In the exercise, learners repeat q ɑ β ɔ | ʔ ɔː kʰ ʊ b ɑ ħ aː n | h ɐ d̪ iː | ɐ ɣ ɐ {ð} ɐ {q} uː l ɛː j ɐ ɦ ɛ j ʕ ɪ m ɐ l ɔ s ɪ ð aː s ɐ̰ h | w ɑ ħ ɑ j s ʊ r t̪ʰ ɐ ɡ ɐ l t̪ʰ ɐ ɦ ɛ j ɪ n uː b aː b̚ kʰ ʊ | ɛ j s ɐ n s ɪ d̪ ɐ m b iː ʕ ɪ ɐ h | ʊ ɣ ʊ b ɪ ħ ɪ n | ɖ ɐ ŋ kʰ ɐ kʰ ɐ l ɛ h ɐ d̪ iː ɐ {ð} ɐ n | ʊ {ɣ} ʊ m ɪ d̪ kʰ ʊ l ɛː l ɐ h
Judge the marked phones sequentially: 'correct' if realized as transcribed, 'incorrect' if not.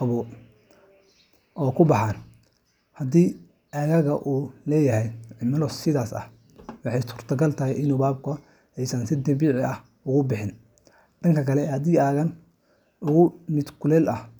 incorrect: ɣ, incorrect: ʔ, incorrect: ɣ, correct

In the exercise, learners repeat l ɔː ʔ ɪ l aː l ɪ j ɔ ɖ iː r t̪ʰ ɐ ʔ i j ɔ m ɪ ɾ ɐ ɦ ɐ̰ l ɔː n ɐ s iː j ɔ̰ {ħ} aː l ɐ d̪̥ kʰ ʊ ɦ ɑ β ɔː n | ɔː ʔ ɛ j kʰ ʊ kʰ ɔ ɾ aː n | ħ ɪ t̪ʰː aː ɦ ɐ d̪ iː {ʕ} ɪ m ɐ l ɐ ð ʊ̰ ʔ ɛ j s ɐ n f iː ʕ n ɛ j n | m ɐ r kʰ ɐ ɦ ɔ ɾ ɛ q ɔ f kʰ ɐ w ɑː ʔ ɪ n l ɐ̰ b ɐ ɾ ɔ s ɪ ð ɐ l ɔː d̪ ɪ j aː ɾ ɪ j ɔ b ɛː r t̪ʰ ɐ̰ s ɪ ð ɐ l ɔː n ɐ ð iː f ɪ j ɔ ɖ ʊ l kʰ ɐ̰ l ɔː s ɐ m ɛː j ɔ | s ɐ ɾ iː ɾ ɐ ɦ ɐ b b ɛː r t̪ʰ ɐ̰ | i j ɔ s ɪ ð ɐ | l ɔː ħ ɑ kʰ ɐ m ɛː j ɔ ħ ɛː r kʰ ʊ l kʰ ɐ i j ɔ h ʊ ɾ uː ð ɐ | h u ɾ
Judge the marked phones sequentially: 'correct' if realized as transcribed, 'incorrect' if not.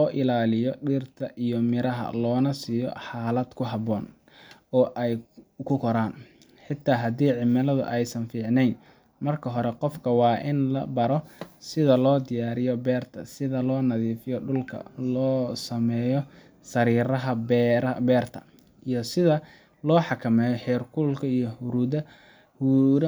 correct, correct

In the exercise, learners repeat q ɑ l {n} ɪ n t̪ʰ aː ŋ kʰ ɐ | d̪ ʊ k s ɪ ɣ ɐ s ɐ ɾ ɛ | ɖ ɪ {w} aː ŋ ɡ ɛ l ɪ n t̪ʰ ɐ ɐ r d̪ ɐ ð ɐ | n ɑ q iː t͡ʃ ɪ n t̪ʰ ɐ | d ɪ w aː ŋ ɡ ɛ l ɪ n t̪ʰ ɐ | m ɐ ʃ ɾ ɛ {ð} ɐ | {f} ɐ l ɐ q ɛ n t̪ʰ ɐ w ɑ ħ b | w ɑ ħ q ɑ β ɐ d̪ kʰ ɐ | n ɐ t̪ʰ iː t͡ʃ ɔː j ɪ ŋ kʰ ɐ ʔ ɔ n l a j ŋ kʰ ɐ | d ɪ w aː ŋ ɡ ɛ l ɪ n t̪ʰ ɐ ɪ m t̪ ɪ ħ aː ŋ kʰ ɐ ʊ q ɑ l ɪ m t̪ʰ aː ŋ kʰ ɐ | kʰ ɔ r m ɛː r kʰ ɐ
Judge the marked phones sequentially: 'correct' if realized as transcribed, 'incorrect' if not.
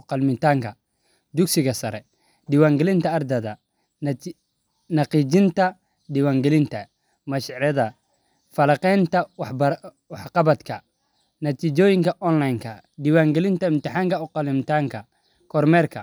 incorrect: m, correct, correct, correct

